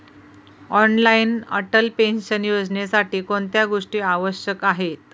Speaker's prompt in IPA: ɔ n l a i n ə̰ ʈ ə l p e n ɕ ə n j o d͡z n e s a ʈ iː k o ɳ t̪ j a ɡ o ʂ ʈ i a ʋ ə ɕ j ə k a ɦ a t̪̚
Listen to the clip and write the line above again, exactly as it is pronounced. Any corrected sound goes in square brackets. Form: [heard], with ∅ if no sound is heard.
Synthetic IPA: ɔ n l a i n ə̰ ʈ ə l p e n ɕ ə n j o d͡z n e s a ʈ iː k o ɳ t̪ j a ɡ o ʂ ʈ [iː] a ʋ ə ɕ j ə k a ɦ [e] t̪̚